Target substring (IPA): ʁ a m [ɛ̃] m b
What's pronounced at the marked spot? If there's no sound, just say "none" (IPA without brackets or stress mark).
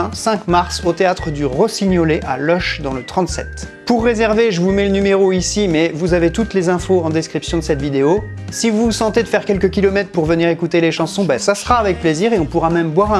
ɛ